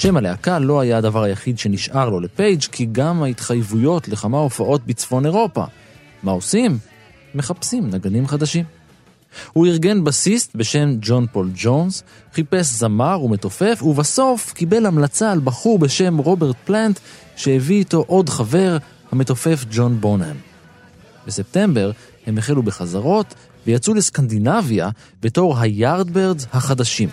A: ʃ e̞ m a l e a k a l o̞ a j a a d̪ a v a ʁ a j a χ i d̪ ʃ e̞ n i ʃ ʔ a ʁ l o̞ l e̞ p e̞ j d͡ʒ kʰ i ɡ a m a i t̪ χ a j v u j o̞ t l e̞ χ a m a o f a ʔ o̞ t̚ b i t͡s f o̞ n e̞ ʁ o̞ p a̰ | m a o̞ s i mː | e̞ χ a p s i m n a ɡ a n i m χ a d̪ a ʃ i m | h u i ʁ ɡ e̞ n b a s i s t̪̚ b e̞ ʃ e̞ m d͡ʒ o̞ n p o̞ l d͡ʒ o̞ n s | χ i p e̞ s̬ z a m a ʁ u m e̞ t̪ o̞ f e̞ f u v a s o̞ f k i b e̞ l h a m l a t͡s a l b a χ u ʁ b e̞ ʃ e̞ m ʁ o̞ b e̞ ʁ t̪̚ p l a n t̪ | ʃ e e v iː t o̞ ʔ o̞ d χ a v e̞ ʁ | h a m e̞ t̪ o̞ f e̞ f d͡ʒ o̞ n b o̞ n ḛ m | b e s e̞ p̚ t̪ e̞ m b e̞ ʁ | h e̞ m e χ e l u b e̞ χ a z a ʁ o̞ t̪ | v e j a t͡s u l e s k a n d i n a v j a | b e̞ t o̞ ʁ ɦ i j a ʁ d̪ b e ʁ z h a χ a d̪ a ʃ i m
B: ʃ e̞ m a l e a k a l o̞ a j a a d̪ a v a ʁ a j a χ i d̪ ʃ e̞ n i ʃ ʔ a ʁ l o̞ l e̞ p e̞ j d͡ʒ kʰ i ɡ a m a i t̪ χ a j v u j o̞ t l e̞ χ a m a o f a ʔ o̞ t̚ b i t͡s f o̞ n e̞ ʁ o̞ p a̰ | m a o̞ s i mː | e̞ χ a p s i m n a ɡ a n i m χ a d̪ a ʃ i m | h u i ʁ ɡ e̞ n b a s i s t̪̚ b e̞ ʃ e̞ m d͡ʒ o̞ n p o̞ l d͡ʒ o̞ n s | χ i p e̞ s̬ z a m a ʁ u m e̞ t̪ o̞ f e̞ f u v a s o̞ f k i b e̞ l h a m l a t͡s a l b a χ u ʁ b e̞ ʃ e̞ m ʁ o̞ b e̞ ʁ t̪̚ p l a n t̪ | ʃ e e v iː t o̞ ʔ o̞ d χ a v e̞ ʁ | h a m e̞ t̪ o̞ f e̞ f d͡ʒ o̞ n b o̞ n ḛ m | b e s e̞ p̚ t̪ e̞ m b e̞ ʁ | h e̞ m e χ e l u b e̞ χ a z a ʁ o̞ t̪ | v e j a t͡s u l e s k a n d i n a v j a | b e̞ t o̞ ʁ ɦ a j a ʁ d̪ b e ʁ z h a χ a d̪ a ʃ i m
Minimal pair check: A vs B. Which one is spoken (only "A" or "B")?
B